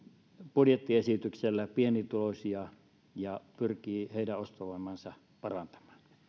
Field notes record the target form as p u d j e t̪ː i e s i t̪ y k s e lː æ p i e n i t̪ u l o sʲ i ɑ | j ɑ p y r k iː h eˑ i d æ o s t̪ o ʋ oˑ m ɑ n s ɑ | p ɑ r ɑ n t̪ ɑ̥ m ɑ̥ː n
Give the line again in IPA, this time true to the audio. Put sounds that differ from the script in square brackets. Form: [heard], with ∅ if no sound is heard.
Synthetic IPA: p u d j e t̪ː i e s i t̪ y k s e lː æ p i e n i t̪ u l o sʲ i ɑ | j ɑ p y r k iː h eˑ i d æ o s t̪ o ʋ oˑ m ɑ n s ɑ | p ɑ r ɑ n t̪ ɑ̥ m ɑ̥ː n

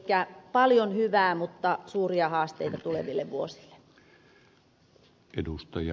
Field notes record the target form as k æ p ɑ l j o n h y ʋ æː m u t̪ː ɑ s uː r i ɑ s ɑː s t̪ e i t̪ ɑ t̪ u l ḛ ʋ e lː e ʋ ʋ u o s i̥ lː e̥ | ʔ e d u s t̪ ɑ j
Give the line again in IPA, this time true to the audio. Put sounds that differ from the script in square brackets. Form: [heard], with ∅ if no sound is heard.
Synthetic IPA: k æ p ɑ l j o n h y ʋ æː m u t̪ː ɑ s uː r i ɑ [h] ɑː s t̪ e i t̪ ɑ t̪ u l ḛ ʋ [i] lː e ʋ ʋ u o s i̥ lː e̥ | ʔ e d u s t̪ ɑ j

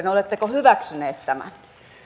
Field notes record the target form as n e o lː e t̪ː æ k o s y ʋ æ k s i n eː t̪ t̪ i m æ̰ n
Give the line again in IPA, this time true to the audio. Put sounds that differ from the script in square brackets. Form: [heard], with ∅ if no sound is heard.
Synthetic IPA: n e o [l] e t̪ː [e] k o [h] y ʋ æ k s [y] n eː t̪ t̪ [æ] m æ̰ n

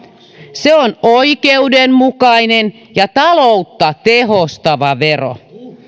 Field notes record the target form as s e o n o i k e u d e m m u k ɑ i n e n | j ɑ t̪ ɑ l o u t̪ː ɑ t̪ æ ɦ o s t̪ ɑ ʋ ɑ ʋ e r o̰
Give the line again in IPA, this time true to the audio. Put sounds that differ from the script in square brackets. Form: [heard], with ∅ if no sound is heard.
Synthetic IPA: s e o n o i k e u d e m m u k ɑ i n e n | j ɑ t̪ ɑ l o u t̪ː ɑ t̪ [e] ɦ o s t̪ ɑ ʋ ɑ ʋ e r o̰

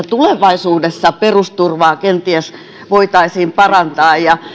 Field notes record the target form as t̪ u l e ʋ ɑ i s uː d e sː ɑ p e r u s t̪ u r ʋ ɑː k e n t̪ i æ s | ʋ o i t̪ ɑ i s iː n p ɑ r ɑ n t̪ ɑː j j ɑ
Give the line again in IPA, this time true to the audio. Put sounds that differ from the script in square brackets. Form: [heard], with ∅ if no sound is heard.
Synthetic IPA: t̪ u l e ʋ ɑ i s uː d e sː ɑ p e r u s t̪ u r ʋ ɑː k e n t̪ i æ s | ʋ o i t̪ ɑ i s iː [m] p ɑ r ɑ n t̪ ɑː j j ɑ

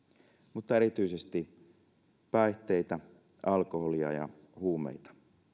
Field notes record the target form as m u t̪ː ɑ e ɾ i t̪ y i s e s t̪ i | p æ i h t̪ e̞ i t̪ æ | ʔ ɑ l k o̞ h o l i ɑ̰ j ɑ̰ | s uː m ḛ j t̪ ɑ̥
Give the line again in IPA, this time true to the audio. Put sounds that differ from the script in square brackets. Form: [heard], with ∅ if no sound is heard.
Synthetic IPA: m u t̪ː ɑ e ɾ i t̪ y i s e s t̪ i | p æ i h t̪ e̞ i t̪ æ | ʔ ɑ l k o̞ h o l i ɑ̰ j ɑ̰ | [h] uː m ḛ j t̪ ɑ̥

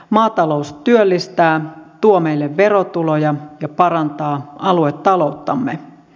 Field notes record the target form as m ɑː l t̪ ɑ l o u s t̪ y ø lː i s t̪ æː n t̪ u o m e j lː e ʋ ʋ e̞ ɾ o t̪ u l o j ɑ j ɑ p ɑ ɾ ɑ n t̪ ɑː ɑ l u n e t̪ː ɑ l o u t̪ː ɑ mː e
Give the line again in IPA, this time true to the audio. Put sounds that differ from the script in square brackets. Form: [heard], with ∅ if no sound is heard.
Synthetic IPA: m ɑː [∅] t̪ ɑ l o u s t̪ y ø lː i s t̪ æː [∅] t̪ u o m e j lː e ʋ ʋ e̞ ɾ o t̪ u l o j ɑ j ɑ p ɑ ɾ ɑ n t̪ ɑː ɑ l u [∅] e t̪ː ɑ l o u t̪ː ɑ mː e

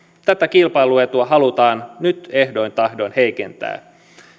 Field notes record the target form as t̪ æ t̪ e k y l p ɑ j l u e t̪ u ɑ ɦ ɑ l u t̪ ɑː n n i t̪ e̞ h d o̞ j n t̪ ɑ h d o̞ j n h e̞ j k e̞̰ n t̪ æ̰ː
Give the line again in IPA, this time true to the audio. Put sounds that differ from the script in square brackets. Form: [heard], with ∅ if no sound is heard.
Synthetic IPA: t̪ æ t̪ [æ] k [i] l p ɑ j l u e t̪ u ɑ ɦ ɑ l u t̪ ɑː n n [y] t̪ e̞ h d o̞ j n t̪ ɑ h d o̞ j n h e̞ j k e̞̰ n t̪ æ̰ː

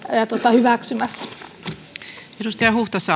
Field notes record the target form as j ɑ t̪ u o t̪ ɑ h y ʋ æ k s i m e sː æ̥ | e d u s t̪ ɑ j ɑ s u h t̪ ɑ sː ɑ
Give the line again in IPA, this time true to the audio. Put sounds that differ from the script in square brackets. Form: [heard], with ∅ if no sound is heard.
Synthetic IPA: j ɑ t̪ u o t̪ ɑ h y ʋ æ k s [y] m [æ] sː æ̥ | e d u s t̪ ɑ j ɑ [h] u h t̪ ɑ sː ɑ

